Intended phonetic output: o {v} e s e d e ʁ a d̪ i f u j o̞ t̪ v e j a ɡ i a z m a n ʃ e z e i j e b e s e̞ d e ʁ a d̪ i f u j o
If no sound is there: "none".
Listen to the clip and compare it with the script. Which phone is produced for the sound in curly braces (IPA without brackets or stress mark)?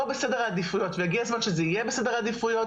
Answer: b